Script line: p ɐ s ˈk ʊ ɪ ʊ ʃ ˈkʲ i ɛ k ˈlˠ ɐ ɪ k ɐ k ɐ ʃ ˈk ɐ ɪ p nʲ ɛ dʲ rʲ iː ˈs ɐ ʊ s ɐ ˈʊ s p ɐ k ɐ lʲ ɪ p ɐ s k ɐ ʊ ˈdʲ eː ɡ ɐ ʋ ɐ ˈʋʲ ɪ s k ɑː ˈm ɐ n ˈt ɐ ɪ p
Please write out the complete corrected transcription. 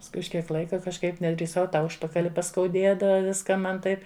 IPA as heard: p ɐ s ˈk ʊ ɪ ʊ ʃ ˈkʲ i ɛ k ˈlˠ ɐ ɪ k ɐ k ɐ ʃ ˈk ɐ ɪ p nʲ ɛ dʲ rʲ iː ˈs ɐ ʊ t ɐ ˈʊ ʃ p ɐ k ɐ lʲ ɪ p ɐ s k ɐ ʊ ˈdʲ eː d ɐ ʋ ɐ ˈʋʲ ɪ s k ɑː ˈm ɐ n ˈt ɐ ɪ p